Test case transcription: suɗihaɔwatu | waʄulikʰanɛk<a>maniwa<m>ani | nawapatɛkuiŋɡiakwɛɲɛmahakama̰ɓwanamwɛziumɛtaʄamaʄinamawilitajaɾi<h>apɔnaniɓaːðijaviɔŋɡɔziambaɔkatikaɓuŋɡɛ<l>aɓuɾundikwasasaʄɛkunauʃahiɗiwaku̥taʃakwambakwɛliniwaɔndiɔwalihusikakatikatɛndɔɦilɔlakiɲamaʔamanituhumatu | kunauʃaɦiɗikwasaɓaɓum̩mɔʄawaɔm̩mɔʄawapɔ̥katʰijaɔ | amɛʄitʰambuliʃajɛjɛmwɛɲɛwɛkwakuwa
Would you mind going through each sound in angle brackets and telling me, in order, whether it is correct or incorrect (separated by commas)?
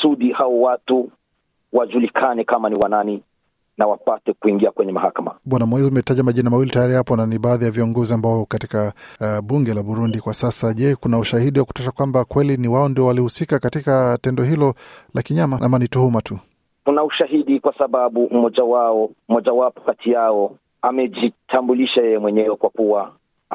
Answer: correct, incorrect, correct, correct